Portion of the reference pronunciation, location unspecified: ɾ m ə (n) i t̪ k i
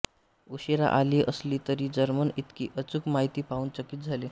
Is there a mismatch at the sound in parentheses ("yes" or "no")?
no